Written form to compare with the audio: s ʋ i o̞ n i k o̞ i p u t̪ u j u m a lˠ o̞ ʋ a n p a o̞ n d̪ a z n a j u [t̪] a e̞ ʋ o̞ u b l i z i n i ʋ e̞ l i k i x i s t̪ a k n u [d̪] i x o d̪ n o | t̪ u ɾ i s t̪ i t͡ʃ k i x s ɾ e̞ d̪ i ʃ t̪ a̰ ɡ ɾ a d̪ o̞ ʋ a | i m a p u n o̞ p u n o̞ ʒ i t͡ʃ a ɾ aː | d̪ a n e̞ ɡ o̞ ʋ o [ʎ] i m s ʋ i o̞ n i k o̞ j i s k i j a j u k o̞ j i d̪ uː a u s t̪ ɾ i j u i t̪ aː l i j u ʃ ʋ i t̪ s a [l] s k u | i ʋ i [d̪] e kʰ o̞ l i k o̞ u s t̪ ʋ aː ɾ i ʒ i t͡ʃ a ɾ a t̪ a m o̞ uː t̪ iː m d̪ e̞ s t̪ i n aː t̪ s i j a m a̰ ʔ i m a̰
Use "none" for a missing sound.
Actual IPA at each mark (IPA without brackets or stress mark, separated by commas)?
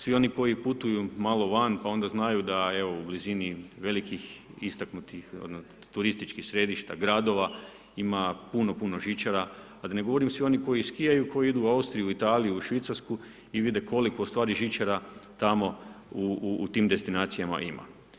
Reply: d̪, t̪, ɾ, ɾ, d̪